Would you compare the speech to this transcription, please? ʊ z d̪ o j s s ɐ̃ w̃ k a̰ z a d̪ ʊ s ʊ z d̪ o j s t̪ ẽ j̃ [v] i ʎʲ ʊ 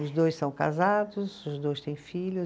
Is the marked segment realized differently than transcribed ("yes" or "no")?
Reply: yes